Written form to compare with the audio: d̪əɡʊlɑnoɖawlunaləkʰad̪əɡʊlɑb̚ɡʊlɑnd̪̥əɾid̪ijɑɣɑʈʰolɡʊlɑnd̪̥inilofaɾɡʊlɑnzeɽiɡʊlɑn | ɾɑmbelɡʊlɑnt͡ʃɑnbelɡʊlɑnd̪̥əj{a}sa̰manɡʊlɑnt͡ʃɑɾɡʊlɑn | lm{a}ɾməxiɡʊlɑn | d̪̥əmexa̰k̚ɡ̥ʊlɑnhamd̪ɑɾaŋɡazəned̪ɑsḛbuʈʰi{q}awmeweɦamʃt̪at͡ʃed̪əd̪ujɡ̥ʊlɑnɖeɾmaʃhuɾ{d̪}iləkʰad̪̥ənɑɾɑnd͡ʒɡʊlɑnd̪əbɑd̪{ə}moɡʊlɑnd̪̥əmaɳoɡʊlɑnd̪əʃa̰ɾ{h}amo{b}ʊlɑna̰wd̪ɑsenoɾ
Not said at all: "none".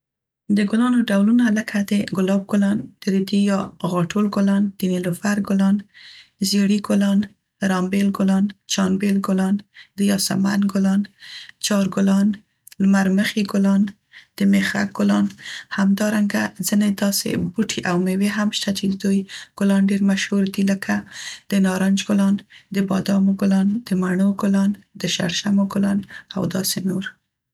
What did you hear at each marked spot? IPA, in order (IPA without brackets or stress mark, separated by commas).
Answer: ɑ, a, ʔ, d̪, ɑ, ʃ, ɡ